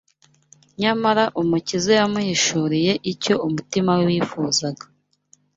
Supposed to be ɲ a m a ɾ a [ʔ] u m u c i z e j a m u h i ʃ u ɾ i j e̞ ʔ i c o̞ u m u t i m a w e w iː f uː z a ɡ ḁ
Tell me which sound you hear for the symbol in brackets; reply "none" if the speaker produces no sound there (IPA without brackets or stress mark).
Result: ʔ